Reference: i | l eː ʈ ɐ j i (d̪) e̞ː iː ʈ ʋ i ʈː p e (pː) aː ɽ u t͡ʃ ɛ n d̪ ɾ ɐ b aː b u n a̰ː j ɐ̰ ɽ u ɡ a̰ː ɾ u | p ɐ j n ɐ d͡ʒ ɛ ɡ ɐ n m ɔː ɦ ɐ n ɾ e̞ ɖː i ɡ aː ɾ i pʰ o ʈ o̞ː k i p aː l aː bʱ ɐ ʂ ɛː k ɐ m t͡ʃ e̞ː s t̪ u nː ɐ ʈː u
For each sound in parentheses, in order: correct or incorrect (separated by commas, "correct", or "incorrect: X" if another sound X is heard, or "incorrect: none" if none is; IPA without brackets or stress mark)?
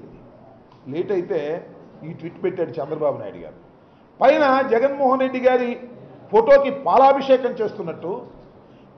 incorrect: t̪, incorrect: ʈː